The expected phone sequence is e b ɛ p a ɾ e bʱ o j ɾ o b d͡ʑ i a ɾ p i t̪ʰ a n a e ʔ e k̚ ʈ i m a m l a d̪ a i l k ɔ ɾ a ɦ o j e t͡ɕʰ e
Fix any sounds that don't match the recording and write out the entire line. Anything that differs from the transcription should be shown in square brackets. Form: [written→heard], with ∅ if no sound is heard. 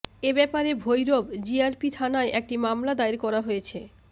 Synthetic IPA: e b ɛ p a ɾ e bʱ o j ɾ o b d͡ʑ i a ɾ p i t̪ʰ a n a e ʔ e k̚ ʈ i m a m l a d̪ a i [l→ɾ] k ɔ ɾ a ɦ o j e t͡ɕʰ e